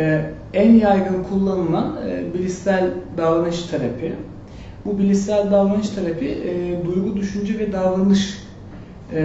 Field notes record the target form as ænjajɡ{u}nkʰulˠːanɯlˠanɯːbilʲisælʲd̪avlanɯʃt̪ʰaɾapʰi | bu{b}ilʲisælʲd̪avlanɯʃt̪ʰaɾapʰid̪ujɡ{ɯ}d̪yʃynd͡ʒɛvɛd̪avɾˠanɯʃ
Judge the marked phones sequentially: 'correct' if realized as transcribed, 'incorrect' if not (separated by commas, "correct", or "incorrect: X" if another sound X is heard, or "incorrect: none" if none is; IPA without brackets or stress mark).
incorrect: ɯ, correct, incorrect: u